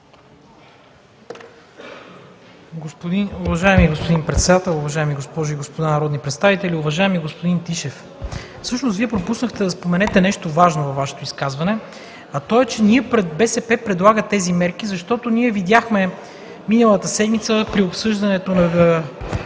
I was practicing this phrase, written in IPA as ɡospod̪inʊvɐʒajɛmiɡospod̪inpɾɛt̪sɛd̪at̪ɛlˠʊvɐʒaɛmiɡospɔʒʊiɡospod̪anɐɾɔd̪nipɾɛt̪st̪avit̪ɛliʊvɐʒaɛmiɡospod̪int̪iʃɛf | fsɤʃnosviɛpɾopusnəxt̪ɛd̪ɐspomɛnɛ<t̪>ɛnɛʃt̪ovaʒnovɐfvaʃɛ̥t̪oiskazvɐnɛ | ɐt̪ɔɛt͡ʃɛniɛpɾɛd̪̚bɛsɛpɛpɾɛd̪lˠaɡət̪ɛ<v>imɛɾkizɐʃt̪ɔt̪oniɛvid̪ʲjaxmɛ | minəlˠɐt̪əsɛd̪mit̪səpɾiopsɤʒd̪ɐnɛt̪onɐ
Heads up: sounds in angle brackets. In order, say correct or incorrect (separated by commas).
correct, incorrect